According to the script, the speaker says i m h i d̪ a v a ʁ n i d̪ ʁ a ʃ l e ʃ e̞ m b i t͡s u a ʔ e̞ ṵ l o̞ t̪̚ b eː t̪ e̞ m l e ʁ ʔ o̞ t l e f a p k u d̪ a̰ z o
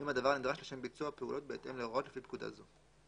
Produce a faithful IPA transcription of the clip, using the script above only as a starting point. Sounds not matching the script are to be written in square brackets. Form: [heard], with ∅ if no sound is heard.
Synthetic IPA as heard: i m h [a] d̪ a v a ʁ n i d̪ ʁ a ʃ l e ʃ e̞ m b i t͡s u a [p] e̞ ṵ l o̞ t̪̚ b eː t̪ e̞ m l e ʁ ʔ o̞ t l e f [i] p k u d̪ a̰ z o

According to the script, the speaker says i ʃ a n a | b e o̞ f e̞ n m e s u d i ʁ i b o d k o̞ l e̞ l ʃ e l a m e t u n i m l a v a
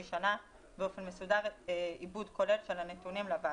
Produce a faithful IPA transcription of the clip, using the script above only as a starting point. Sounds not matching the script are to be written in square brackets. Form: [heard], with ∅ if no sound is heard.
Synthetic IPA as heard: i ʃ a n a | b e o̞ f e̞ n m e s u d [a] ʁ i b [u] d k o̞ l e̞ l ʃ e l a [n] e t u n i m l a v a

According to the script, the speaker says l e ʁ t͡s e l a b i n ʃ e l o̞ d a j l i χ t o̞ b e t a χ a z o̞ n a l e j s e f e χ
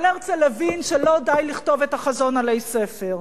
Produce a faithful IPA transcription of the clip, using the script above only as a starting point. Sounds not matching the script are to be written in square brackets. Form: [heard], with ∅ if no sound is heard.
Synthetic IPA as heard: l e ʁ t͡s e l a [v] i n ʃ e l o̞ d a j l i χ t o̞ [v] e t a χ a z o̞ n a l e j s e f e [ʁ]

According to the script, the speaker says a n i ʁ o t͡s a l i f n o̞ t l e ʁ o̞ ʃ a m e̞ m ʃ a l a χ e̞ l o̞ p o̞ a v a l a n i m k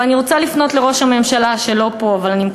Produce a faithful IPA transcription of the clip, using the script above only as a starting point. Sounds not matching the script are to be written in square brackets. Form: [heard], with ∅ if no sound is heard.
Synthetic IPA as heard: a n i ʁ o t͡s a l i f n o̞ t l e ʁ o̞ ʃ a m e̞ m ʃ a l a [ʃ] e̞ l o̞ p o̞ a v a l a n i m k

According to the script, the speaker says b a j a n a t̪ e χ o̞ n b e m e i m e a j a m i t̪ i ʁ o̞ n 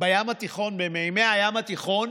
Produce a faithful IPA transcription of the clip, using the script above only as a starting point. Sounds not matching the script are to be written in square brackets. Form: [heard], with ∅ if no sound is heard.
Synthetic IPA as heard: b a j a [m] a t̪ [i] χ o̞ n b e m e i m e a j a m [a] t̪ i [χ] o̞ n

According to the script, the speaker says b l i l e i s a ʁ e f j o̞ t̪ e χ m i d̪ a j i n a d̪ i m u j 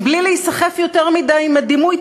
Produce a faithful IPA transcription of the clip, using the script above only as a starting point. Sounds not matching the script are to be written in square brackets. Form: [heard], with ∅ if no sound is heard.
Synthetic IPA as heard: b l i l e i s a [χ] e f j o̞ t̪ e [ʁ] m i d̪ a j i [m] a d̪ i m u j

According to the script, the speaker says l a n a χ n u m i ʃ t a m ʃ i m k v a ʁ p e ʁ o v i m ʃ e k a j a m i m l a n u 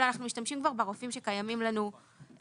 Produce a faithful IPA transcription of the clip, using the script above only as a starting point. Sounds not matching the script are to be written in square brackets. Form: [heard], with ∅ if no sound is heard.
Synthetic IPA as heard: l a n a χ n u m i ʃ t a m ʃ i m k v a ʁ [b] e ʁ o [f] i m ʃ e k a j a m i m l a n u

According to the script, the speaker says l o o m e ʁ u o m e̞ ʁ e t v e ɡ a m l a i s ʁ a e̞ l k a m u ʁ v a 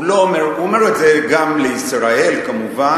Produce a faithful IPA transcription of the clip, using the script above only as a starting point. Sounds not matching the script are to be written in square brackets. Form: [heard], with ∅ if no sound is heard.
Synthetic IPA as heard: l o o m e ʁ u o m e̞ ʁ e t [z] e ɡ a m l [e] i s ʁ a e̞ l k a m u [∅] v a

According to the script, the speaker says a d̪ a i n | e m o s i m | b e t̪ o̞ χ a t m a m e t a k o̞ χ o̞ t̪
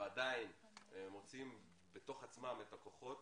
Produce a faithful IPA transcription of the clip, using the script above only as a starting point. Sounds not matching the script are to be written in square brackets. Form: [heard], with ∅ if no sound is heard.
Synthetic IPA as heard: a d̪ a i n | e m o [t͡s] i m | b e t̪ o̞ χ a [t͡s] m a m e t a k o̞ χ o̞ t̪

